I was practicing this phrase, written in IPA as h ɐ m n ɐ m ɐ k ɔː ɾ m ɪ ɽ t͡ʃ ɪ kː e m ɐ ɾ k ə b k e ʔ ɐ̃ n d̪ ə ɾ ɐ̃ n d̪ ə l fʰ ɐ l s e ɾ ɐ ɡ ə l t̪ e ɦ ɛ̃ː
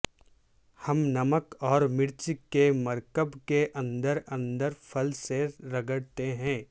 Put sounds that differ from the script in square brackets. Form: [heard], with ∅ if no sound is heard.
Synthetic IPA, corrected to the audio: h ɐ m n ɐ m [ə] k ɔː ɾ m ɪ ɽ t͡ʃ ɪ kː e m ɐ ɾ k ə b k e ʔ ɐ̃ n d̪ ə ɾ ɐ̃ n d̪ ə [ɾ] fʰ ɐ l s e ɾ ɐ ɡ ə [ɽ] t̪ e ɦ ɛ̃ː